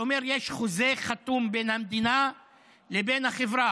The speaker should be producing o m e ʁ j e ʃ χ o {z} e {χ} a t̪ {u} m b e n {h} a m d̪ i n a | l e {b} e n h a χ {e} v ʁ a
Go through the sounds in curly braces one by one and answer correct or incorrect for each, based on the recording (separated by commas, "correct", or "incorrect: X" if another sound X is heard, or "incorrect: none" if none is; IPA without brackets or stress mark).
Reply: correct, correct, correct, correct, correct, correct